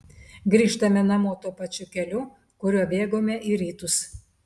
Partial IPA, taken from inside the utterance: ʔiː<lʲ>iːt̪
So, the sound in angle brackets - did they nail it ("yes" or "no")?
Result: no